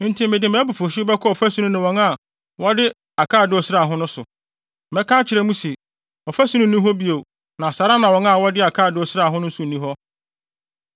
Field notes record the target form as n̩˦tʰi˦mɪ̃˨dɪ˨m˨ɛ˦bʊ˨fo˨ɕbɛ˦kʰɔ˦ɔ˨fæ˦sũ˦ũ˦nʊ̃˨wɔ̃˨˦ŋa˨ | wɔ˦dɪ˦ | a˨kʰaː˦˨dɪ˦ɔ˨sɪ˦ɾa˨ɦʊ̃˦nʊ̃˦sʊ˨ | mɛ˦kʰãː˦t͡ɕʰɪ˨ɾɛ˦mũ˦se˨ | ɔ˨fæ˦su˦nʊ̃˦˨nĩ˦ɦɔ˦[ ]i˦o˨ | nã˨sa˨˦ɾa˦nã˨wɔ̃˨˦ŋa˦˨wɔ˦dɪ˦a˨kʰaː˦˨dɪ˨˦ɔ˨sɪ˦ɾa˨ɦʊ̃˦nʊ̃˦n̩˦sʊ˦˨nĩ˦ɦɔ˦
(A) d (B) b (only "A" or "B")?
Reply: B